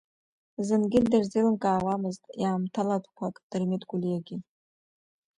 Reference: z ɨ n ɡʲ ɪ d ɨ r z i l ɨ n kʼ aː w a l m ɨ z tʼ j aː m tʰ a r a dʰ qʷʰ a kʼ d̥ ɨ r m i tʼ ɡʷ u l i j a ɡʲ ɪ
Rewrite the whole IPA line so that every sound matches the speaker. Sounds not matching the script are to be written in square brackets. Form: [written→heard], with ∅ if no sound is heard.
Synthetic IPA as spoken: z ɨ n ɡʲ ɪ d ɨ r z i l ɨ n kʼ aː w a [l→∅] m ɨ z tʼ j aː m tʰ a [r→l] a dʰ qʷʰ a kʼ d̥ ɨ r m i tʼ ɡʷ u l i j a ɡʲ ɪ